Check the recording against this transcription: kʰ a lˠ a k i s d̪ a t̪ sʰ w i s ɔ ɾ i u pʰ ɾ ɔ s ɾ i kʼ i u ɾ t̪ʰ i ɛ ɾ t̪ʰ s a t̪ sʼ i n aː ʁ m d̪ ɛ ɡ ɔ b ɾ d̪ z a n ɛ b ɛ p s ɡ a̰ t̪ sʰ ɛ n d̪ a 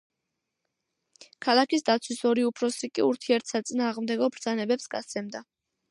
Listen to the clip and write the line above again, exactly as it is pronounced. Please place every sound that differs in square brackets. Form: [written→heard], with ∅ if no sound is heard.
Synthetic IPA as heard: kʰ a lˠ a k i s d̪ a t̪ sʰ w i s ɔ ɾ i u pʰ ɾ ɔ s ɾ i kʼ i u ɾ t̪ʰ i ɛ ɾ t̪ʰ s a t̪ sʼ i n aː ʁ m d̪ ɛ ɡ ɔ b ɾ d̪ z a n ɛ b ɛ p s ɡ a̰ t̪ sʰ ɛ [n→m] d̪ a